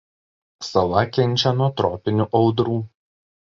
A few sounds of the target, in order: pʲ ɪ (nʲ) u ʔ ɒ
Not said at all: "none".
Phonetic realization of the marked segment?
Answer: nʲ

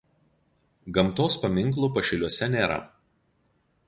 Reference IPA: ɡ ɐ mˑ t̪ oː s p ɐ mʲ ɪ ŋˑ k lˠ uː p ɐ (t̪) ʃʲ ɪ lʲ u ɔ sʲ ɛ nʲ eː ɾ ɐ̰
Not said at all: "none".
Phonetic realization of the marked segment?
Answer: none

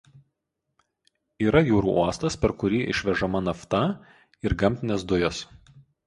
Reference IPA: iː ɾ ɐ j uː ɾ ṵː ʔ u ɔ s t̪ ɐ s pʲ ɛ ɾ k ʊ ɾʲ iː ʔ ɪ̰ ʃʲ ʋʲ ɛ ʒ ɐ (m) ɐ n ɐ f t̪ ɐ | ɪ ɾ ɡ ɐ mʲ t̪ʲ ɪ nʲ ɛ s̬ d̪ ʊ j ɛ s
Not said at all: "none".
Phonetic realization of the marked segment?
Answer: m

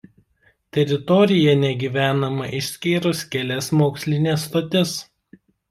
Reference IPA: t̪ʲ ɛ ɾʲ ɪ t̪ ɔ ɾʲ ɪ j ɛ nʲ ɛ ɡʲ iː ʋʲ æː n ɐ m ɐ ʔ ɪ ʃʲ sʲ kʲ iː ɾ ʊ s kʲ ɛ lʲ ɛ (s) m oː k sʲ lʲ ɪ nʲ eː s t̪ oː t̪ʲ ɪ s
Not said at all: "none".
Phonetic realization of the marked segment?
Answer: s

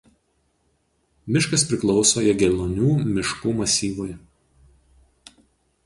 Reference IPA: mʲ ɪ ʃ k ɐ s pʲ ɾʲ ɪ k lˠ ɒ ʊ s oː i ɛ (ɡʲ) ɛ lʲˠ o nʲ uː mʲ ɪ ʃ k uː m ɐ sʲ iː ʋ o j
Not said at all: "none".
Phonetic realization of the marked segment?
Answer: ɡʲ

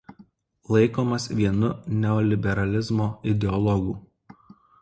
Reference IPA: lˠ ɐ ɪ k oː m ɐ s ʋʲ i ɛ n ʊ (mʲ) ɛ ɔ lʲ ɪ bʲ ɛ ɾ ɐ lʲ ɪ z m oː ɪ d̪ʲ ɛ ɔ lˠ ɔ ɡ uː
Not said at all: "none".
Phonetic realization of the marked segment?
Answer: nʲ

